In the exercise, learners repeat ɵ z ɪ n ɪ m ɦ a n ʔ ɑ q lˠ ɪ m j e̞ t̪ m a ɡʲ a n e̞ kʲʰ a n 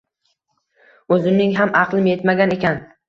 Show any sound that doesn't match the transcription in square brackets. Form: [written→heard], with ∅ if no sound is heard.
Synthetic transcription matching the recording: ɵ z ɪ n ɪ [m→ŋ] ɦ a [n→m] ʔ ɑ q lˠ ɪ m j e̞ t̪ m a ɡʲ a n e̞ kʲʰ a n